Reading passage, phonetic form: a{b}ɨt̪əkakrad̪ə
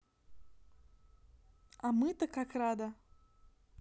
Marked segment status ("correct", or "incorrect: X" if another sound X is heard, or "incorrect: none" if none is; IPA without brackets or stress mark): incorrect: m